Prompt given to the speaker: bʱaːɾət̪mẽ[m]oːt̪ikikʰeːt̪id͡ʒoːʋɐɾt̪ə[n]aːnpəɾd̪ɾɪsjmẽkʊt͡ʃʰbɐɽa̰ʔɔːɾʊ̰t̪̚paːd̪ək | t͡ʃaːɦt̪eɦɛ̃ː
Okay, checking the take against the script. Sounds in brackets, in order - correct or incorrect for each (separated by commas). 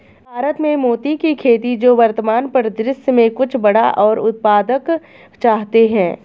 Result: correct, incorrect